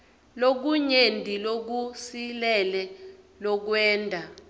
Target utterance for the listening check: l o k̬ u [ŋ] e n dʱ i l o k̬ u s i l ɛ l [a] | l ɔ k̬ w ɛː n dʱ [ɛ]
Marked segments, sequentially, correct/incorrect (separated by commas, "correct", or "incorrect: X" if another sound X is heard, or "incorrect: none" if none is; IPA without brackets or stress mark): incorrect: ɲ, incorrect: ɛ, incorrect: a